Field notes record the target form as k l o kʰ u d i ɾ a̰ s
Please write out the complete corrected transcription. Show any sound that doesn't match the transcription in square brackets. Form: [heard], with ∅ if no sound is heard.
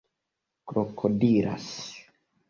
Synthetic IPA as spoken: k [ɾ] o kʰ [o] d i ɾ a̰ s